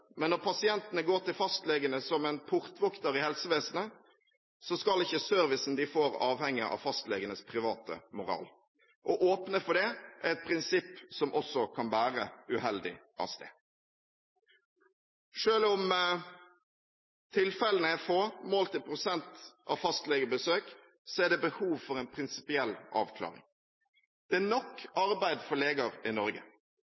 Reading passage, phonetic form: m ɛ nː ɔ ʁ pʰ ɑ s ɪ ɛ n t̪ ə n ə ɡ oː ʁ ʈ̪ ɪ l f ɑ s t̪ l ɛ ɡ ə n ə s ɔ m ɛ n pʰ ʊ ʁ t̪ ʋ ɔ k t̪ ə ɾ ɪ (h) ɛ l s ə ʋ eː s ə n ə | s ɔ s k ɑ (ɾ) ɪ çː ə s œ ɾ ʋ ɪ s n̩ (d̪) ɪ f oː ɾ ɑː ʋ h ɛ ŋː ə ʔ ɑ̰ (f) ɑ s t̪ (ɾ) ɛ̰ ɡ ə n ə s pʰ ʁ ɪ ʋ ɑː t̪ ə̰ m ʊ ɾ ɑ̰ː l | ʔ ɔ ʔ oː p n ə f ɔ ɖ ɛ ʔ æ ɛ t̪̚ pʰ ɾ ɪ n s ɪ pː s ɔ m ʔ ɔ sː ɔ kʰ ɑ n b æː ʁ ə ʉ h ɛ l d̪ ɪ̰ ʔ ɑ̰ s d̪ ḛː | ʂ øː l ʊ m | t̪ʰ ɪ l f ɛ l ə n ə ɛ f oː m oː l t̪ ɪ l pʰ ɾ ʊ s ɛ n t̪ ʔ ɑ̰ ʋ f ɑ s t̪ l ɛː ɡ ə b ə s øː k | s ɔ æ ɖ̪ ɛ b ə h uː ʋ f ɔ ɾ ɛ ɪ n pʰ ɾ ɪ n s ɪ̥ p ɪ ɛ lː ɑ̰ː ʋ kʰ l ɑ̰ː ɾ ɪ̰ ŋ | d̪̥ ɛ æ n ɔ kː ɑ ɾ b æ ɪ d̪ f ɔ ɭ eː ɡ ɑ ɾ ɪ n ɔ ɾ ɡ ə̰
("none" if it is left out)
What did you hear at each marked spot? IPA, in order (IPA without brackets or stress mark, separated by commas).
h, l, d̪, f, l